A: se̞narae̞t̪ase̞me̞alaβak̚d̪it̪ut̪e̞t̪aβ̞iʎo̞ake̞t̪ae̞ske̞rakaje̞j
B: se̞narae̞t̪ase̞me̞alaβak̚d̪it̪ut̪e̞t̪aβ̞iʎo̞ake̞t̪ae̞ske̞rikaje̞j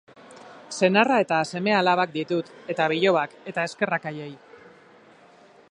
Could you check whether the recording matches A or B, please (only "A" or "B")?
A